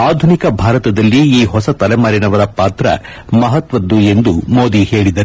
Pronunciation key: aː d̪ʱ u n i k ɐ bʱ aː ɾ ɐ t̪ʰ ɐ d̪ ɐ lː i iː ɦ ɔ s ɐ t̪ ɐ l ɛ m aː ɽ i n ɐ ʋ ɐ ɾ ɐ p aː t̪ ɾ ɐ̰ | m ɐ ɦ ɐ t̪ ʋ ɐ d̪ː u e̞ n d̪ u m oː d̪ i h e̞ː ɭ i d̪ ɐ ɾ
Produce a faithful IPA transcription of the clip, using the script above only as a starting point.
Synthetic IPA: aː d̪ʱ u n i k ɐ bʱ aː ɾ ɐ t̪ ɐ d̪ ɐ lː i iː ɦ ɔ s ɐ t̪ ɐ l ɛ m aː ɾ i n ɐ ʋ ɐ ɾ ɐ p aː t̪ ɾ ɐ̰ | m ɐ ɦ ɐ t̪ ʋ ɐ d̪ː u e̞ n d̪ u m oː d̪ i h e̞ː ɭ i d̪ ɐ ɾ